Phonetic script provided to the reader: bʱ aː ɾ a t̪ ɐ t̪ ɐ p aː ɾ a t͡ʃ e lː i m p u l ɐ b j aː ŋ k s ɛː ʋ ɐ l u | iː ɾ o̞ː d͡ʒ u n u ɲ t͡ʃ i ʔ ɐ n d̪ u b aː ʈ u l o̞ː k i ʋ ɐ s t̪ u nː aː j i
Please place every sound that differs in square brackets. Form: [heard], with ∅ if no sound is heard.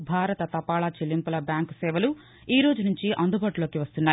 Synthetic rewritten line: bʱ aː ɾ [ɐ] t̪ ɐ t̪ ɐ p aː [ɭ] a t͡ʃ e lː i m p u l ɐ b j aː ŋ k s ɛː ʋ ɐ l u | iː ɾ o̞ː d͡ʒ u n u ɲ t͡ʃ i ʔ ɐ n d̪ u b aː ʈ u l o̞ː k i ʋ ɐ s t̪ u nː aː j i

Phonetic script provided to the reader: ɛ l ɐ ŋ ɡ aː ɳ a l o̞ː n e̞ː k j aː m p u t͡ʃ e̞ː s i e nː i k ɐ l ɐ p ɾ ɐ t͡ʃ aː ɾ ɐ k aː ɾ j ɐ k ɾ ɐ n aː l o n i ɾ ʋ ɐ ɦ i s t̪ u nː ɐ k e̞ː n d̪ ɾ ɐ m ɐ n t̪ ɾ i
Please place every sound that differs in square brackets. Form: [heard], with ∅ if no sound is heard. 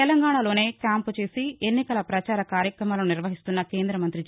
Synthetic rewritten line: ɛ l ɐ ŋ ɡ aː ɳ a l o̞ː n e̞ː k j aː m p u t͡ʃ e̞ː s i e nː i k ɐ l ɐ p ɾ ɐ t͡ʃ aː ɾ ɐ k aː ɾ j ɐ k ɾ ɐ [m] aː l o n i ɾ ʋ ɐ ɦ i s t̪ u nː ɐ k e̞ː n d̪ ɾ ɐ m ɐ n t̪ ɾ i

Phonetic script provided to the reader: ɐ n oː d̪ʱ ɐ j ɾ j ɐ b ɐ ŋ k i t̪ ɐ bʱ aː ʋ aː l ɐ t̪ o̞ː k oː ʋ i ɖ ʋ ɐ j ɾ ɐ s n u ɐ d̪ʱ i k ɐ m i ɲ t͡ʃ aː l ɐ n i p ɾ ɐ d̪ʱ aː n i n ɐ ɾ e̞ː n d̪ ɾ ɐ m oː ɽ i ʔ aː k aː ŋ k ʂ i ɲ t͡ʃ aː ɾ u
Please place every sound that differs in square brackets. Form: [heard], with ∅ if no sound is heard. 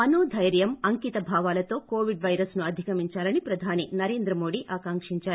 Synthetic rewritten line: ɐ n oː d̪ʱ ɐ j ɾ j ɐ [m] ɐ ŋ k i t̪ ɐ bʱ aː ʋ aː l ɐ t̪ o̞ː k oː ʋ i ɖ ʋ ɐ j ɾ ɐ s n u ɐ d̪ʱ i k ɐ m i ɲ t͡ʃ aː l ɐ n i p ɾ ɐ d̪ʱ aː n i n ɐ ɾ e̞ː n d̪ ɾ ɐ m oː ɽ i ʔ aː k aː ŋ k ʂ i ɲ t͡ʃ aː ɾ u

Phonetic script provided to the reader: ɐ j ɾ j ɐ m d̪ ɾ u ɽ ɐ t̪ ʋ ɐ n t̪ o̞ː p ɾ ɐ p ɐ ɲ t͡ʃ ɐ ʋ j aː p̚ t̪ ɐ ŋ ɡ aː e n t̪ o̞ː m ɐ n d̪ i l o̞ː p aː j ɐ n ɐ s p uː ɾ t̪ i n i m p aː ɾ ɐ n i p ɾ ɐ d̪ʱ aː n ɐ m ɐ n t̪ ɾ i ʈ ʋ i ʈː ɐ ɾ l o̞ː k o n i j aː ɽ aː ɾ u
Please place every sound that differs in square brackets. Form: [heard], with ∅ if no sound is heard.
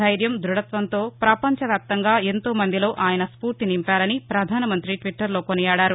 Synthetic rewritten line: ɐ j ɾ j ɐ m d̪ ɾ u ɽ ɐ t̪ ʋ ɐ n t̪ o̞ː p ɾ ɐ p ɐ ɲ t͡ʃ ɐ ʋ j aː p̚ t̪ ɐ ŋ ɡ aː e n t̪ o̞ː m ɐ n d̪ i l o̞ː [ʔ] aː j ɐ n ɐ s p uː ɾ t̪ i n i m p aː ɾ ɐ n i p ɾ ɐ d̪ʱ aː n ɐ m ɐ n t̪ ɾ i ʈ ʋ i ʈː ɐ ɾ l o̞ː k o n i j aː ɽ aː ɾ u

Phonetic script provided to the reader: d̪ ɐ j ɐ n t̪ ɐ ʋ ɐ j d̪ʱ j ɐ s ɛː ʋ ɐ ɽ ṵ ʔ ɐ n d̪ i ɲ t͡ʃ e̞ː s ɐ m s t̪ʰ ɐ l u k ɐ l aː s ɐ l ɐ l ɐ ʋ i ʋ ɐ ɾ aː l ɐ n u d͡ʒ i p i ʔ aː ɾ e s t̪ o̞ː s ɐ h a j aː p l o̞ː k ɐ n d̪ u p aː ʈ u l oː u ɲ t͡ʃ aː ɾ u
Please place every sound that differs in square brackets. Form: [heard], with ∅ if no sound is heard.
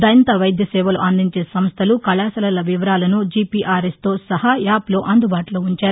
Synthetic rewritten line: d̪ ɐ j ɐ n t̪ ɐ ʋ ɐ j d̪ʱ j ɐ s ɛː ʋ ɐ [l] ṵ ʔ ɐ n d̪ i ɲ t͡ʃ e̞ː s ɐ m s t̪ʰ ɐ l u k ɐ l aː s ɐ l ɐ l ɐ ʋ i ʋ ɐ ɾ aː l ɐ n u d͡ʒ i p i ʔ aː ɾ e s t̪ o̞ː s ɐ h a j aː p l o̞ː [ʔ] ɐ n d̪ u [b] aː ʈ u l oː u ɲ t͡ʃ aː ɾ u

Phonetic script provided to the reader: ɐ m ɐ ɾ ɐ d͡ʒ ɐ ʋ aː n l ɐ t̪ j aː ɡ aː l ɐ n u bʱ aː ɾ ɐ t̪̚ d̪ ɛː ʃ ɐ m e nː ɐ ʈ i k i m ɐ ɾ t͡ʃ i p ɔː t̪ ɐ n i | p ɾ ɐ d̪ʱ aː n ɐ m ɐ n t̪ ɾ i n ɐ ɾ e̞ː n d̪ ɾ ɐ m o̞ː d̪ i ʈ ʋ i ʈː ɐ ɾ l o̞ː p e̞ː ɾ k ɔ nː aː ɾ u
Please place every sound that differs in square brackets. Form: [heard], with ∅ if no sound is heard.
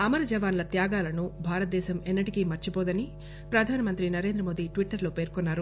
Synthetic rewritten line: ɐ m ɐ ɾ ɐ d͡ʒ ɐ ʋ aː n l ɐ t̪ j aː ɡ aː l ɐ n u bʱ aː ɾ ɐ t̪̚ d̪ ɛː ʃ ɐ m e nː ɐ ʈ i k i m ɐ ɾ t͡ʃ i p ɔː [d̪] ɐ n i | p ɾ ɐ d̪ʱ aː n ɐ m ɐ n t̪ ɾ i n ɐ ɾ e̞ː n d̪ ɾ ɐ m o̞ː d̪ i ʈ ʋ i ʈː ɐ ɾ l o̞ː p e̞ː ɾ k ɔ nː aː ɾ u

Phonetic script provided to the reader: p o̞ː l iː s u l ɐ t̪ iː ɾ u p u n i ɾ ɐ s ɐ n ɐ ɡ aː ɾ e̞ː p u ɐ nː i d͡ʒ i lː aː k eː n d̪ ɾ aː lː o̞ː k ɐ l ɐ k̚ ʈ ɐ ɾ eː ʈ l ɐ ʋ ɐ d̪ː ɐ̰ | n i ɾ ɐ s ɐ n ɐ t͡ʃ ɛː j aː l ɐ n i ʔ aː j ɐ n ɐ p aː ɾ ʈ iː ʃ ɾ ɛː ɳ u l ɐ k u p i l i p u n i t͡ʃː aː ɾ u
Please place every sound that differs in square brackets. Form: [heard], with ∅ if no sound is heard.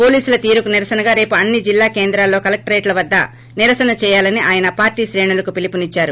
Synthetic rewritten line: p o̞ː l iː s u l ɐ t̪ iː ɾ u [k] u n i ɾ ɐ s ɐ n ɐ ɡ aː ɾ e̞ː p u ɐ nː i d͡ʒ i lː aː k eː n d̪ ɾ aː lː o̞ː k ɐ l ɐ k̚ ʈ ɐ ɾ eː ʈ l ɐ ʋ ɐ d̪ː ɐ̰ | n i ɾ ɐ s ɐ n ɐ t͡ʃ ɛː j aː l ɐ n i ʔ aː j ɐ n ɐ p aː ɾ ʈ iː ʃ ɾ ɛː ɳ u l ɐ k u p i l i p u n i t͡ʃː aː ɾ u

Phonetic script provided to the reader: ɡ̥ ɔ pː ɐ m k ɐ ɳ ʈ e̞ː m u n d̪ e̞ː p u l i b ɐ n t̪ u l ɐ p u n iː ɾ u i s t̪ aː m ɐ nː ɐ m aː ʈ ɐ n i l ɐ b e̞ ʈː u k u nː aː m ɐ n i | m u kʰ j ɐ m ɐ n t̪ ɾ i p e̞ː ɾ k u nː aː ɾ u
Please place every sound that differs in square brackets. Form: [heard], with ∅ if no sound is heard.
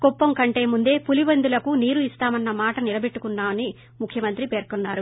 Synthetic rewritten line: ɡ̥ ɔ pː ɐ m k ɐ ɳ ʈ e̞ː m u n d̪ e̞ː p u l i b ɐ n [d̪] u l ɐ [k] u n iː ɾ u i s t̪ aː m ɐ nː ɐ m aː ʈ ɐ n i l ɐ b e̞ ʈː u k u nː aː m ɐ n i | m u kʰ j ɐ m ɐ n t̪ ɾ i p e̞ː ɾ k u nː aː ɾ u

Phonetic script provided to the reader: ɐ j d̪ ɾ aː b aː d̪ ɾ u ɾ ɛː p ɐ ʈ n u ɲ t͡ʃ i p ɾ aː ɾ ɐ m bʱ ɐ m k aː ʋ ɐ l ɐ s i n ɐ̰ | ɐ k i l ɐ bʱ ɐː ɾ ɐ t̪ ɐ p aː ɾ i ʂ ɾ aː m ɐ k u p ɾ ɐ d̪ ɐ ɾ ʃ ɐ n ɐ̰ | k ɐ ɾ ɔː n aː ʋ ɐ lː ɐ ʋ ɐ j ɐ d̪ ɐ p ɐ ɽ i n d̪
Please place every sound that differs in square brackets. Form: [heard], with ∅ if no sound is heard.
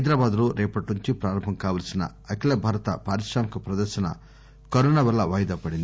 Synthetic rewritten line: ɐ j d̪ ɾ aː b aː d̪ [l] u ɾ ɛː p ɐ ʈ n u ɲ t͡ʃ i p ɾ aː ɾ ɐ m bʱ ɐ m k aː ʋ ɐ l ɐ s i n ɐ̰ | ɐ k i l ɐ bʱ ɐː ɾ ɐ t̪ ɐ p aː ɾ i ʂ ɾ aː m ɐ k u p ɾ ɐ d̪ ɐ ɾ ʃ ɐ n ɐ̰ | k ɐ ɾ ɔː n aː ʋ ɐ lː ɐ ʋ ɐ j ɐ d̪ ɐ p ɐ ɽ i n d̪

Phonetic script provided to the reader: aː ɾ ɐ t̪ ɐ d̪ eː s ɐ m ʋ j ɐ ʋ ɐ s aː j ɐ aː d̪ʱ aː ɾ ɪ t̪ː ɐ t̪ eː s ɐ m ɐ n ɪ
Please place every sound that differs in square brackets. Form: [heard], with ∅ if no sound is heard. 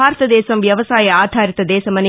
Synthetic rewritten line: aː ɾ ɐ t̪ ɐ d̪ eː s ɐ m ʋ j ɐ ʋ ɐ s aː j ɐ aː d̪ʱ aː ɾ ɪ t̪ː ɐ [d̪] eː s ɐ m ɐ n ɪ

